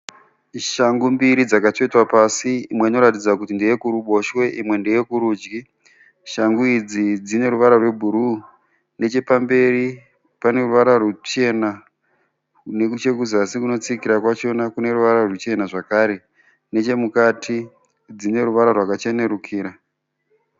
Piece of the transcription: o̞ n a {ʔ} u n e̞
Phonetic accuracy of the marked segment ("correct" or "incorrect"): incorrect